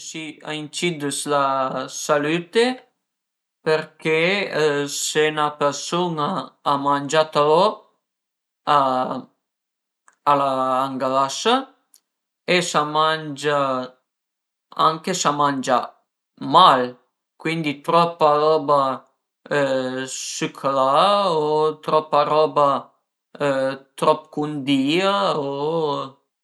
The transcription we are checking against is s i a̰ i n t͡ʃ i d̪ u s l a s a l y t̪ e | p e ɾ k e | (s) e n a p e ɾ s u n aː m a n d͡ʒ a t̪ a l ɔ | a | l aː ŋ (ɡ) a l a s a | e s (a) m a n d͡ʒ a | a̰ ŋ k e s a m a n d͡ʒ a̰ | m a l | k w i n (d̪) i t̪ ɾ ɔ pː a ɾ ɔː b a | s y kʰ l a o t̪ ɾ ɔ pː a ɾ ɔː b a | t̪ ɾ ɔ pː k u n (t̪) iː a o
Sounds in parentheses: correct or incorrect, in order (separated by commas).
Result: correct, correct, correct, correct, incorrect